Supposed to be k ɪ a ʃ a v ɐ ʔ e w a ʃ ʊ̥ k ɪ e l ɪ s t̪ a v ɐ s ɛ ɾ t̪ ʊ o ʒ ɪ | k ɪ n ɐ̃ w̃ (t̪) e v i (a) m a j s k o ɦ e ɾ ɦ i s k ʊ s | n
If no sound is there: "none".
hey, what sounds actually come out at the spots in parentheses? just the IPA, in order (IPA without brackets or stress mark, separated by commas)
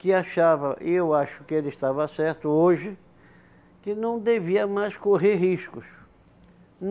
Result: d̪, ɐ